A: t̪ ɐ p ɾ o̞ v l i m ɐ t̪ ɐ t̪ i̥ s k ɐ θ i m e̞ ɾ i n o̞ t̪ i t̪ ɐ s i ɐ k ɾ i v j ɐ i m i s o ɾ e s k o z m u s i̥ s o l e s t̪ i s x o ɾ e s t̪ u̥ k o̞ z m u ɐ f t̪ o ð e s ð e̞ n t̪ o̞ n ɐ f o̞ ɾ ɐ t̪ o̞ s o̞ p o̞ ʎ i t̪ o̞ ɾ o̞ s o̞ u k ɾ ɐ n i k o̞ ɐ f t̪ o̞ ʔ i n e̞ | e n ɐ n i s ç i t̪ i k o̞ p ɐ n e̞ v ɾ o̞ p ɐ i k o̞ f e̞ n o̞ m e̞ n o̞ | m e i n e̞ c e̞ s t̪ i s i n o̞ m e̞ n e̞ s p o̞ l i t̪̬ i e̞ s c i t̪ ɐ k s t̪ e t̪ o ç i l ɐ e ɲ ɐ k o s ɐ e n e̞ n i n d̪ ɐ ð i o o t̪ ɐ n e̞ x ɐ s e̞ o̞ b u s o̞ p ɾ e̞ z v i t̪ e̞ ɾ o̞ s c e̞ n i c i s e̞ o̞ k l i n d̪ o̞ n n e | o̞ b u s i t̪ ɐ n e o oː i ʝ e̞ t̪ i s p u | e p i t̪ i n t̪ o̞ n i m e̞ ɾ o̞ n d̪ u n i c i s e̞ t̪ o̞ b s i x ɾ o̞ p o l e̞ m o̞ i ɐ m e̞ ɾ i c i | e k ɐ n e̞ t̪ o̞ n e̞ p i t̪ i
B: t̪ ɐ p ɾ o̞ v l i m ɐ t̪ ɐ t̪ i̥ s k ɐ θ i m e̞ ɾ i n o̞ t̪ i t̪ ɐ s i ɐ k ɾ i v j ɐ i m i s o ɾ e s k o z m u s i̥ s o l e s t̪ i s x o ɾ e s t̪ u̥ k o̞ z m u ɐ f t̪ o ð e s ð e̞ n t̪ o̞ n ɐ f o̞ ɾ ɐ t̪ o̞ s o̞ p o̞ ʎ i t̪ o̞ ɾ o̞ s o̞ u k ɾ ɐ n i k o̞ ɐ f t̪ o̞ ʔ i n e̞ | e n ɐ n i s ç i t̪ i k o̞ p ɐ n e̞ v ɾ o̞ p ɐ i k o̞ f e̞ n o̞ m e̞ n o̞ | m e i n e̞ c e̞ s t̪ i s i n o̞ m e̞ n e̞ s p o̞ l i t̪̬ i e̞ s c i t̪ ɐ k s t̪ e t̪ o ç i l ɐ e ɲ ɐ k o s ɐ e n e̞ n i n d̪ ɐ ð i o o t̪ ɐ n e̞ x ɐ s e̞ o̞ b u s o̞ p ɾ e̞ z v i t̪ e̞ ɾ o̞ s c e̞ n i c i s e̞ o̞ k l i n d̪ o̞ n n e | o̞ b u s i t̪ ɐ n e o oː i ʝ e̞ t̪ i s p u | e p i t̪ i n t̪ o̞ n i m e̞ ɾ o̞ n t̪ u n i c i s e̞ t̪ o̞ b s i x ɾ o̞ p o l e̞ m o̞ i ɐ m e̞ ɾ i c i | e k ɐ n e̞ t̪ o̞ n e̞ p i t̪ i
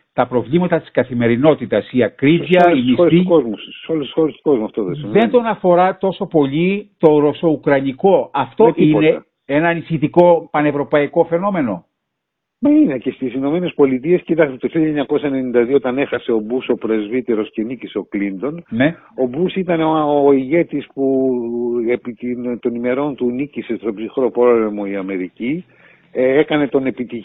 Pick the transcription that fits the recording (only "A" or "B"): B